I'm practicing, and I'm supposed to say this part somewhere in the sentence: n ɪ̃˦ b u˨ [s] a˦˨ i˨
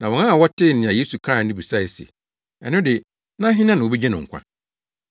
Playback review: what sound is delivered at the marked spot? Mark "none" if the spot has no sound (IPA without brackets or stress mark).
s